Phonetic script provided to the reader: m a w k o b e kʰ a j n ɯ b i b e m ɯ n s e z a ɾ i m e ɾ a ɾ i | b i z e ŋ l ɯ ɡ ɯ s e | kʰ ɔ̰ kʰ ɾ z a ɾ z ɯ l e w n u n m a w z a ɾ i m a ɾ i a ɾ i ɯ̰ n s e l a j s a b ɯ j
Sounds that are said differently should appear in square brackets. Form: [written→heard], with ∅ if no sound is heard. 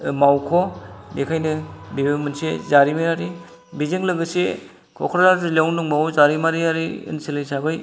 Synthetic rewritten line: m a w [k→kʰ] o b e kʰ a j n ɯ b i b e m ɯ n s e z a ɾ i m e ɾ a ɾ i | b i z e ŋ l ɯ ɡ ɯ s e | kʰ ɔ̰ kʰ ɾ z a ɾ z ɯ l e w n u [n→ŋ] m a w z a ɾ i m a ɾ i a ɾ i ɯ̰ n s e l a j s a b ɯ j